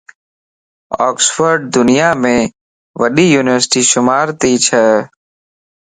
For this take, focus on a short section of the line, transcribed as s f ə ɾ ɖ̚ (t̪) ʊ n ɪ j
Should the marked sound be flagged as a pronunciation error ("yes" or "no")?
yes